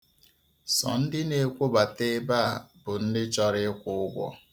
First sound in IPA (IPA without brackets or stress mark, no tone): s